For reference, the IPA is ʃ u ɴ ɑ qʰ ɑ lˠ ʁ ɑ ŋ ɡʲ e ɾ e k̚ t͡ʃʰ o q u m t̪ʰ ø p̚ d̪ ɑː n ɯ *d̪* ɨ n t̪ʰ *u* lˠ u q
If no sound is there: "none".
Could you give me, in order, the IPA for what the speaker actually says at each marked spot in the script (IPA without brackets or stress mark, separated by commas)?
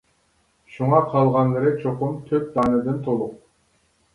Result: d̪, o